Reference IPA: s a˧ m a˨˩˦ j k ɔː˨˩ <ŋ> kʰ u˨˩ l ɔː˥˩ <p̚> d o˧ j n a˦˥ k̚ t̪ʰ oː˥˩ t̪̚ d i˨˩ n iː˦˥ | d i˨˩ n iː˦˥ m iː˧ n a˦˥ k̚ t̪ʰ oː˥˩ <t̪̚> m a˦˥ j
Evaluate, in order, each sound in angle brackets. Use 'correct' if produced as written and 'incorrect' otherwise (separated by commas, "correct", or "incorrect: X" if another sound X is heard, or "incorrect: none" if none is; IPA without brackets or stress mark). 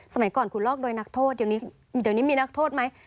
incorrect: n, incorrect: k̚, correct